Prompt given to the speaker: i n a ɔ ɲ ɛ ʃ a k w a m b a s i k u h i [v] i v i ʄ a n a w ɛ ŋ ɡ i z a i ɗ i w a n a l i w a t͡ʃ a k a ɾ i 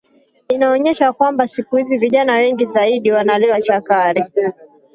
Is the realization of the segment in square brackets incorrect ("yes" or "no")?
yes